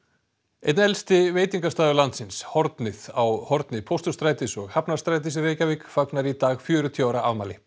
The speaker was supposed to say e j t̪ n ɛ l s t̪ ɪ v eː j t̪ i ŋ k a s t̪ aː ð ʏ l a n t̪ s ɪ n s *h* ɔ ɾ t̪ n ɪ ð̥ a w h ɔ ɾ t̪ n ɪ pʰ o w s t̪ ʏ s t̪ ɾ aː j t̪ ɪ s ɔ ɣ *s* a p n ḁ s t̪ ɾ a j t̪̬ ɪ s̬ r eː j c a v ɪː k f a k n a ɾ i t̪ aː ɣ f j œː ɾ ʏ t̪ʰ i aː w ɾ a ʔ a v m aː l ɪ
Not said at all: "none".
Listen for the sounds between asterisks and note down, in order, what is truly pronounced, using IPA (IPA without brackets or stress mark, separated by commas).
h, h